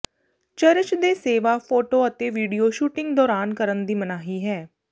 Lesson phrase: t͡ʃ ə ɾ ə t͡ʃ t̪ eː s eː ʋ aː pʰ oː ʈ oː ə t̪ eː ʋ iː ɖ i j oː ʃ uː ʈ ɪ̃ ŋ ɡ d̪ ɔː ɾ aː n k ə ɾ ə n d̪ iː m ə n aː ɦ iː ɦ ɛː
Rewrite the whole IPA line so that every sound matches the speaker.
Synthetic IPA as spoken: t͡ʃ ə ɾ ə t͡ʃ d̪ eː s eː ʋ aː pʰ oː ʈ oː ə t̪ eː ʋ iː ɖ i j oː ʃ uː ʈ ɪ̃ ŋ ɡ d̪ ɔː ɾ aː n k ə ɾ ə n d̪ iː m ə n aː ɦ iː ɦ ɛː